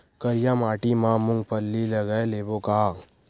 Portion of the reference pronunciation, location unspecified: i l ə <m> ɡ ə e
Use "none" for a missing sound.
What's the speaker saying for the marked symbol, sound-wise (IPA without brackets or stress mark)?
none